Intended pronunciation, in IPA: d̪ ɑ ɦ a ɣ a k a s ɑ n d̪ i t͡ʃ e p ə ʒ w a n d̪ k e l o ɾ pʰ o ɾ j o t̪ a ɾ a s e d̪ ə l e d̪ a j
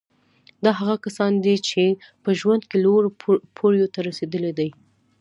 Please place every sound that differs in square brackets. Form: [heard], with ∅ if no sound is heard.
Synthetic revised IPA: d̪ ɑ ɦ a ɣ a k a s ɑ n d̪ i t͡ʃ e p ə ʒ w a n d̪ k e l o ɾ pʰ o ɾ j o t̪ a ɾ a s e d̪ ə l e d̪ a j